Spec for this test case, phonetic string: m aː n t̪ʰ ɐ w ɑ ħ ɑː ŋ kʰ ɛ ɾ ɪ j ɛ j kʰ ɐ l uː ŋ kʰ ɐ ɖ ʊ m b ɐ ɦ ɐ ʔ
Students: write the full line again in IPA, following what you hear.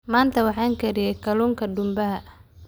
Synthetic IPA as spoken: m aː n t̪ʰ ɐ w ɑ ħ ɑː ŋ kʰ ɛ ɾ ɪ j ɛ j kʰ ɐ l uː ŋ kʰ ɐ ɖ ʊ m b ɐ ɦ ɐ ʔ